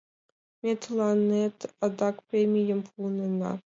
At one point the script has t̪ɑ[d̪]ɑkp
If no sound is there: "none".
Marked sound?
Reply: d̪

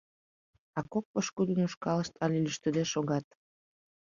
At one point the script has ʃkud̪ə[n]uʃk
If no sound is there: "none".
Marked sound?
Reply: n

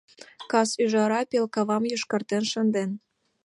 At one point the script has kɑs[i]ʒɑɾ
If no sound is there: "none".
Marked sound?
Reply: y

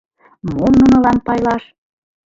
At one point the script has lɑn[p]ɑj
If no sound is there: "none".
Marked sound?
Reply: p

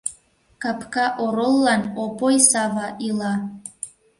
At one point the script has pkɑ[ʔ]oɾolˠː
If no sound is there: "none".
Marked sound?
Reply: ʔ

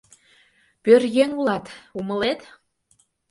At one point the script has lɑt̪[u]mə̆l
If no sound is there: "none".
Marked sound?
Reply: u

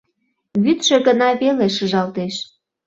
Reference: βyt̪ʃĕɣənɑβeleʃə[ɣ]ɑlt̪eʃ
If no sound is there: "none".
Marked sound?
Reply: ʒ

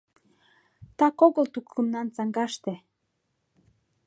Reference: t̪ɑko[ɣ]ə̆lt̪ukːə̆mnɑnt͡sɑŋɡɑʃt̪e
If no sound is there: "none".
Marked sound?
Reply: ɣ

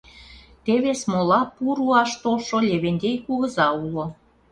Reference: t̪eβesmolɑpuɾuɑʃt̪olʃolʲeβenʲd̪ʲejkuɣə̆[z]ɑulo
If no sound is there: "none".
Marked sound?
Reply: z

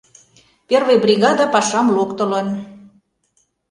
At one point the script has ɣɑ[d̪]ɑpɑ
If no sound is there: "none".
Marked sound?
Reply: d̪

